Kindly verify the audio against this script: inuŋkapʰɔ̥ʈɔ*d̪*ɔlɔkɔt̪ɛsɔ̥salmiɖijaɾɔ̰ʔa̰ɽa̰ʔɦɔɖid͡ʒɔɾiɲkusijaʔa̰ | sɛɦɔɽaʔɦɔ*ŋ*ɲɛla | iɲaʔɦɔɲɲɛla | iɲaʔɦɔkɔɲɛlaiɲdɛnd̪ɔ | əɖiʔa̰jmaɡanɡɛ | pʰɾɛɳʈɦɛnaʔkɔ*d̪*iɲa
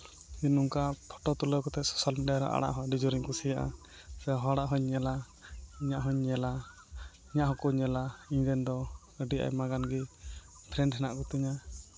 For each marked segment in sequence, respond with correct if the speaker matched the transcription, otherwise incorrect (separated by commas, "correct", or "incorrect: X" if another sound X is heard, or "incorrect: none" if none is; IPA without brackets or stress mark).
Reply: incorrect: t̪, incorrect: ɲ, incorrect: t̪